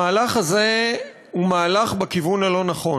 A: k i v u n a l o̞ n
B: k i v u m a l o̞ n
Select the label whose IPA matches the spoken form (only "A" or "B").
A